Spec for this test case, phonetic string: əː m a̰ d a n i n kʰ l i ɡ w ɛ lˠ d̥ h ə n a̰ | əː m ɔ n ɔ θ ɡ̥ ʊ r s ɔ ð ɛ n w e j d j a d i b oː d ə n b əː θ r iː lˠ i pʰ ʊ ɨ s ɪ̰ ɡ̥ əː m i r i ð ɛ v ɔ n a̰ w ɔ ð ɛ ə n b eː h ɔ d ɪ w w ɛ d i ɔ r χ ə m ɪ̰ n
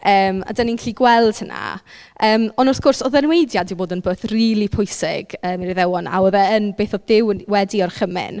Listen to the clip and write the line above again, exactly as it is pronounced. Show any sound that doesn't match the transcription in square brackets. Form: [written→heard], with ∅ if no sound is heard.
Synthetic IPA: əː m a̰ d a n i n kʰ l i ɡ w ɛ lˠ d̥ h ə n a̰ | əː m ɔ n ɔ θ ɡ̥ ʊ r s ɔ ð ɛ n w e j d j a d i b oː d ə n b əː θ r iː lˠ i pʰ ʊ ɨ s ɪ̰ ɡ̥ əː m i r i ð ɛ [v→w] ɔ n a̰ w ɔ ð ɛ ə n b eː [h→θ] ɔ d ɪ w w ɛ d i ɔ r χ ə m ɪ̰ n